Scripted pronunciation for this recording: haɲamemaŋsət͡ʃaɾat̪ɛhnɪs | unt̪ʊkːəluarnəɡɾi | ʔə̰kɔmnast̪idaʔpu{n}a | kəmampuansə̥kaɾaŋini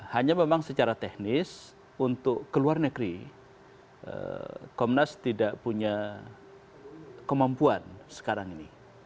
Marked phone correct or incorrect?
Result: incorrect